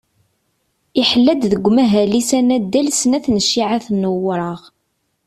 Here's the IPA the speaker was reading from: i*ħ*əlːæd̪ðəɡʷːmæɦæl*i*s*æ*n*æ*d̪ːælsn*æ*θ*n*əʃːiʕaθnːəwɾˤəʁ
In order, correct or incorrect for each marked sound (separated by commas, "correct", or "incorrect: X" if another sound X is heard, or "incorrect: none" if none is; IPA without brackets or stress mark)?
correct, correct, correct, correct, correct, correct